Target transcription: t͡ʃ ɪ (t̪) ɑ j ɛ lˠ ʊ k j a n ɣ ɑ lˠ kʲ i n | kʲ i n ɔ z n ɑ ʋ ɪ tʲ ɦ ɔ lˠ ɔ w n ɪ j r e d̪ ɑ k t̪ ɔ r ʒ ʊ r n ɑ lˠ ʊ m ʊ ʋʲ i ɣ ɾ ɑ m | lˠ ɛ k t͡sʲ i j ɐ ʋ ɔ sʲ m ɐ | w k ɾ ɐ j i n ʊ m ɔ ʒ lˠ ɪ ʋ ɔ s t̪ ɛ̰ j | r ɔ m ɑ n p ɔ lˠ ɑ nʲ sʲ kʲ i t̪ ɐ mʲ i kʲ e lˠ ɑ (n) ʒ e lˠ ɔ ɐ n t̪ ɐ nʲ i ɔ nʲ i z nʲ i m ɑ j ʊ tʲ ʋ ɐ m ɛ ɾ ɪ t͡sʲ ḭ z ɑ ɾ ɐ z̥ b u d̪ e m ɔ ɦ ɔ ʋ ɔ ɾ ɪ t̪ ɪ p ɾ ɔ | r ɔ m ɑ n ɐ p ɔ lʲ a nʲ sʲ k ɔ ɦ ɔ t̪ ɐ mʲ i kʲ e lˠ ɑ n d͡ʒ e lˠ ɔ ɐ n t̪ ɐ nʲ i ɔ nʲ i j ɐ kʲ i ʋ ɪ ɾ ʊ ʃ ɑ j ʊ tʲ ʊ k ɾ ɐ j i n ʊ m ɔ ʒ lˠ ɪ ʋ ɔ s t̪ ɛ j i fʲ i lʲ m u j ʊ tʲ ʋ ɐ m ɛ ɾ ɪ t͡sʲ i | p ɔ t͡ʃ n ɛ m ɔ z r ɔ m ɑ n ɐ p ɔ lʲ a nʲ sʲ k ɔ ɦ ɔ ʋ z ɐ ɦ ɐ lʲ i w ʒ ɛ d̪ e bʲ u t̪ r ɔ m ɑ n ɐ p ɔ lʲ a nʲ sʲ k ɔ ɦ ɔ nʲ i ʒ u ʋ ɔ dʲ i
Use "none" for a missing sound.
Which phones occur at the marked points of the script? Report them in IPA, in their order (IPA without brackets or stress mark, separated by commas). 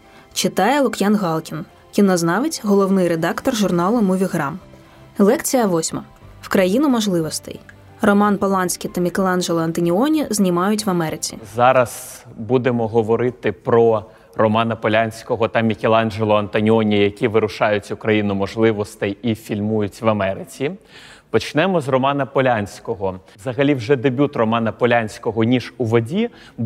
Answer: t̪, n